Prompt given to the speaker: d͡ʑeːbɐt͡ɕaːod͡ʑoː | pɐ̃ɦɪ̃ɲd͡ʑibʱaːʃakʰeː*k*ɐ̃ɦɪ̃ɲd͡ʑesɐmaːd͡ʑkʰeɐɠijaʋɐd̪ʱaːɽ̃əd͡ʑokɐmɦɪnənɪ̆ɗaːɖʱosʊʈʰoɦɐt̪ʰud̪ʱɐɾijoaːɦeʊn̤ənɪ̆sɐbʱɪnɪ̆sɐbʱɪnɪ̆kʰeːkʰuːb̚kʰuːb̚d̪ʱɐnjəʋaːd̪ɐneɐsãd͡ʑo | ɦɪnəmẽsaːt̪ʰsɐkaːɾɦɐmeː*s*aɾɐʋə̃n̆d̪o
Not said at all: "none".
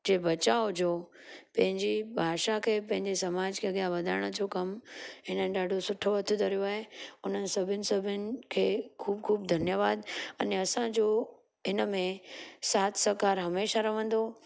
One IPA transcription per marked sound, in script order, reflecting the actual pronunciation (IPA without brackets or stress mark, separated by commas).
p, ʃ